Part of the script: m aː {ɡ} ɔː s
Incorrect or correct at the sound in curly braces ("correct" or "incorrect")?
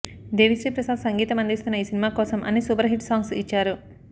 incorrect